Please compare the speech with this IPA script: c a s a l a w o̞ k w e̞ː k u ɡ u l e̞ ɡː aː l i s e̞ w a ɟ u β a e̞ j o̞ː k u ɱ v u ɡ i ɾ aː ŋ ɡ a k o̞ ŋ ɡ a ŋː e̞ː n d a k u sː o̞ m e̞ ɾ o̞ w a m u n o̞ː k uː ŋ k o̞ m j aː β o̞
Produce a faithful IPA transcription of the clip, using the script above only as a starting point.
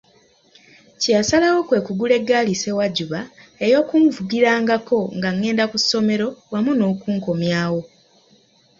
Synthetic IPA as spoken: c a s a l a w o̞ k w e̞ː k u ɡ u l e̞ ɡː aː l i s e̞ w a ɟ u β a e̞ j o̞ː k u ɱ v u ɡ i ɾ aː ŋ ɡ a k o̞ ŋ ɡ a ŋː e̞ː n d a k u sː o̞ m e̞ ɾ o̞ w a m u n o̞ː k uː ŋ k o̞ m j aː w o̞